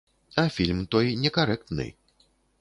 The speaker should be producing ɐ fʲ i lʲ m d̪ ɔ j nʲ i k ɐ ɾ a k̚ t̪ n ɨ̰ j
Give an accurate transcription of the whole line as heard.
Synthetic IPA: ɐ fʲ i lʲ m t̪ ɔ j nʲ ɛ k a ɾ ɛ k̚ t̪ n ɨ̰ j